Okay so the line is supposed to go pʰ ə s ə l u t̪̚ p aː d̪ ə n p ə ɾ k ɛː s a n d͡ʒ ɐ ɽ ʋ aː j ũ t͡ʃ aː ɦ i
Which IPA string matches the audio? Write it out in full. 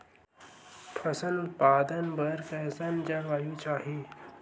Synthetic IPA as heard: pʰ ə s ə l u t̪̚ p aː d̪ ə n b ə ɾ k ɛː s a n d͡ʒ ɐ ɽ ʋ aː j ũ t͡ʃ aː ɦ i